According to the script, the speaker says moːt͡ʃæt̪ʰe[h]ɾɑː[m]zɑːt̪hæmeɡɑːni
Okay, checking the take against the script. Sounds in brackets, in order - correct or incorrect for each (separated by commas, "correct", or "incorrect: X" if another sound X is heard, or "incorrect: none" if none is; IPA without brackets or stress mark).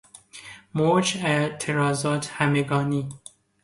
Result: incorrect: none, incorrect: none